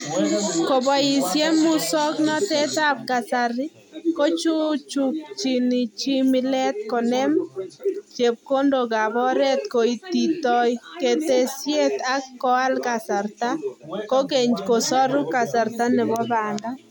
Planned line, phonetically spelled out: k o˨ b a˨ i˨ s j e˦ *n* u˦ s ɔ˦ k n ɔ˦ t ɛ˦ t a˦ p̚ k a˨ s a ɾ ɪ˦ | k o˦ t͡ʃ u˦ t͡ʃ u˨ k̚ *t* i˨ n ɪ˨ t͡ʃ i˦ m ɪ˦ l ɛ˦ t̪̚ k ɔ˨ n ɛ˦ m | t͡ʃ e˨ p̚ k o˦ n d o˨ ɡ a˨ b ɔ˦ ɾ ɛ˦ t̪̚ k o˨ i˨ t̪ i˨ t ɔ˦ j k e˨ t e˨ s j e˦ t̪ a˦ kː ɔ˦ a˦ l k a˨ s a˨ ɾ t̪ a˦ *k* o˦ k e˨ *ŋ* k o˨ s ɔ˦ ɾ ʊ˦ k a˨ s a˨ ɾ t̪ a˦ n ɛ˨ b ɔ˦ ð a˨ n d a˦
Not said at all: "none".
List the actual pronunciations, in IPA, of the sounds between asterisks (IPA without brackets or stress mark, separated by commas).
m, t͡ʃ, k, ɲ